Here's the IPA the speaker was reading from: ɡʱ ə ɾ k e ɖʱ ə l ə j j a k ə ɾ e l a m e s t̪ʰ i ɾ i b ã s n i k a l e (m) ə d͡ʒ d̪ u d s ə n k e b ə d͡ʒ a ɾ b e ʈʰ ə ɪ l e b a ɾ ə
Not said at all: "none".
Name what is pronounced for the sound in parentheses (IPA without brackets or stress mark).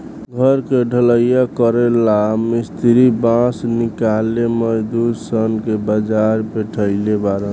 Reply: m